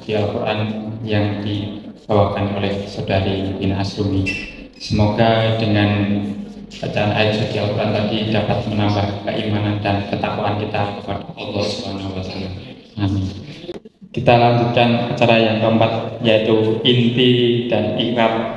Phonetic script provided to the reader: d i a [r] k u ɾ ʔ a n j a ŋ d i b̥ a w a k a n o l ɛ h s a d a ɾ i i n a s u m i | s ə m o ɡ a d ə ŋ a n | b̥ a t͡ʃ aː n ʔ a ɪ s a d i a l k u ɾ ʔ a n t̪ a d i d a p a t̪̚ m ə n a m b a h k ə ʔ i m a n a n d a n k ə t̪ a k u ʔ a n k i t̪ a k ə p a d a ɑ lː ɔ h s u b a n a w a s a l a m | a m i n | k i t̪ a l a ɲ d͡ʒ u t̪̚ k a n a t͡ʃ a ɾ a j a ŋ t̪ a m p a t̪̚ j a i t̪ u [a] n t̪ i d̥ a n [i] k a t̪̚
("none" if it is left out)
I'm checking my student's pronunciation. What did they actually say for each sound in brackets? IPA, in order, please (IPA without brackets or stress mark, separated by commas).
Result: l, i, i